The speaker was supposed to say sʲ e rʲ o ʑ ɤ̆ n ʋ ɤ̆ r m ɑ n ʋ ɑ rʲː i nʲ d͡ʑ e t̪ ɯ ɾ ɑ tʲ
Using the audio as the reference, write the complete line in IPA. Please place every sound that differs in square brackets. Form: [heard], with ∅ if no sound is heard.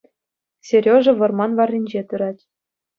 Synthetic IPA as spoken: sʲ e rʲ o [ʐ] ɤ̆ [∅] ʋ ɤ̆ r m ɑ n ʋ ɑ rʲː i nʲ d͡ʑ e t̪ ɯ ɾ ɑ tʲ